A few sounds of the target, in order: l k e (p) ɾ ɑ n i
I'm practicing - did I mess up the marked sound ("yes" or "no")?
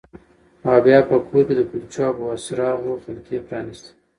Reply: no